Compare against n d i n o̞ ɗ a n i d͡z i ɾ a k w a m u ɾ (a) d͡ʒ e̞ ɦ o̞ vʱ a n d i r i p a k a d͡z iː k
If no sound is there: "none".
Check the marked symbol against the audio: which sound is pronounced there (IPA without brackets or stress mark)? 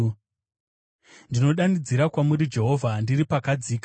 i